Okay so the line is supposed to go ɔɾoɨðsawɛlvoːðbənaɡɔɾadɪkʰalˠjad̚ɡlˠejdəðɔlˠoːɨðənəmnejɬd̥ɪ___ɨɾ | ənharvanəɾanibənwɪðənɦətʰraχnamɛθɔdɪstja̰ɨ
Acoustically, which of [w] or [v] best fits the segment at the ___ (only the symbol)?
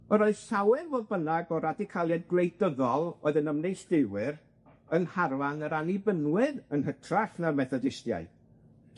w